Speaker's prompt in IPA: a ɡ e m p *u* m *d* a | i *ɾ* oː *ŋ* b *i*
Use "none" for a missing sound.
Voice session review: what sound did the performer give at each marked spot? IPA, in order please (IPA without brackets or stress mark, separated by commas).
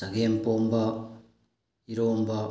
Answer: o, b, ɾ, m, a